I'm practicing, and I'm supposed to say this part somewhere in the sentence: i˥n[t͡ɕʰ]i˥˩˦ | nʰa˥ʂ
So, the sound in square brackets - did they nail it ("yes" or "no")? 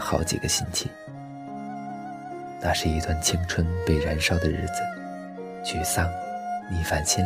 yes